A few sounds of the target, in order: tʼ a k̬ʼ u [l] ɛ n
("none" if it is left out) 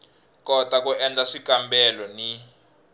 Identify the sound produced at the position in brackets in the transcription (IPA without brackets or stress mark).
none